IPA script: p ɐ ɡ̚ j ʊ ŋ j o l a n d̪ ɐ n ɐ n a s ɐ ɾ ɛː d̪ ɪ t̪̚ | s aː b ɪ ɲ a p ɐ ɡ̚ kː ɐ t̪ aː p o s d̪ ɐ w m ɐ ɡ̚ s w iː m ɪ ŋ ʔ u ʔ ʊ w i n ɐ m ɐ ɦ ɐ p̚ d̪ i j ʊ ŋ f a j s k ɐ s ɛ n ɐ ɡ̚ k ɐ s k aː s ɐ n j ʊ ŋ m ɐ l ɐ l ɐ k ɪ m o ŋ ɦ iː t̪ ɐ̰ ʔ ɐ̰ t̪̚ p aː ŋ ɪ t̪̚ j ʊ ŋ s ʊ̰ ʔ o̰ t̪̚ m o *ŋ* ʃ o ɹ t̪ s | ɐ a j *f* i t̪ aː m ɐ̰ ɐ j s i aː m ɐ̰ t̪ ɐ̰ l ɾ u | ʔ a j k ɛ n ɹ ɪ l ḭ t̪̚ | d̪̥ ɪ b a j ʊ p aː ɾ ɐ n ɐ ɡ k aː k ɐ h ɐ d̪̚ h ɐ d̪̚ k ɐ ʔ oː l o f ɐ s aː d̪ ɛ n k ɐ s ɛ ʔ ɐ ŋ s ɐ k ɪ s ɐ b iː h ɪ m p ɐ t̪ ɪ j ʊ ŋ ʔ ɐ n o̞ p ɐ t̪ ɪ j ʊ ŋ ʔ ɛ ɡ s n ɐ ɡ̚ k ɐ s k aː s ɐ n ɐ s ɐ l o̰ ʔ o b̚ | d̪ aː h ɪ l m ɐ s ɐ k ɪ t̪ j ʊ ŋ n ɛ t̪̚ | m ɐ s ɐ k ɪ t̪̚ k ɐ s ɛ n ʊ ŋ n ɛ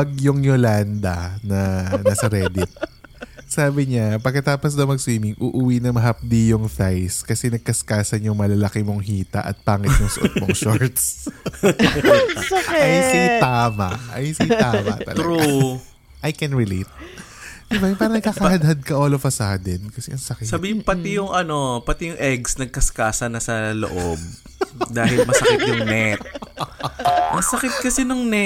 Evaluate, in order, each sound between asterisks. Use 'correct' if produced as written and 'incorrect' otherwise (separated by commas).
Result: correct, incorrect